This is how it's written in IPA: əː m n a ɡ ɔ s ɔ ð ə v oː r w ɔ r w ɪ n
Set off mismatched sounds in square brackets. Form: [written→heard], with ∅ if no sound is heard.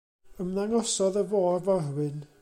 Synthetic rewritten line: [əː→ə] m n a [ɡ→ŋ] ɔ s ɔ ð ə v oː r [w→v] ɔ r w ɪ n